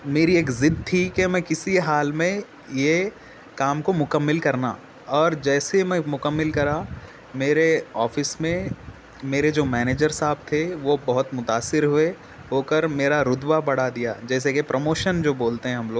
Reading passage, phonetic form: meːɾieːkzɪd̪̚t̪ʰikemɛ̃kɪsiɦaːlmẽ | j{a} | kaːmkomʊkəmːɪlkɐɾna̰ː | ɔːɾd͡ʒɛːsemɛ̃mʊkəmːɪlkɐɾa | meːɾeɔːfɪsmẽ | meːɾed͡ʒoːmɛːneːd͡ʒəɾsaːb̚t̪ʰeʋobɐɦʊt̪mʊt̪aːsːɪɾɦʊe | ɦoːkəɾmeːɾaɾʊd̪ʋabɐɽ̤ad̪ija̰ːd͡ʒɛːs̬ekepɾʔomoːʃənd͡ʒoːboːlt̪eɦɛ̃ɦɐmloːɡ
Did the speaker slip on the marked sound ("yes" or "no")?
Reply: yes